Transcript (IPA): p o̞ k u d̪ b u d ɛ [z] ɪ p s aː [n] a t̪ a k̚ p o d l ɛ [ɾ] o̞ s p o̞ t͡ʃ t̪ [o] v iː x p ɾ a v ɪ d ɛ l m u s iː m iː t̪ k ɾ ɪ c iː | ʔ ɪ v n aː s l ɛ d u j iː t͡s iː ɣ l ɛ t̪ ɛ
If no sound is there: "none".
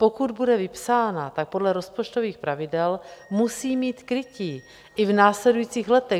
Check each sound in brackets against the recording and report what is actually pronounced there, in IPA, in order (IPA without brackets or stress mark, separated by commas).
v, n, ɾ, o